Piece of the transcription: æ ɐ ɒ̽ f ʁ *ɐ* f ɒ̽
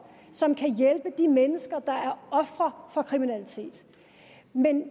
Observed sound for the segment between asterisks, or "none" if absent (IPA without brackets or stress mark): ɐ